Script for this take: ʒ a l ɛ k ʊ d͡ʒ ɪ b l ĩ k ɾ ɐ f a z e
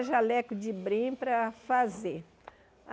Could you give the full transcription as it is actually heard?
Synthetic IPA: ʒ a l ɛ k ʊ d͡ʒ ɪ b ɾ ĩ p ɾ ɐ f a z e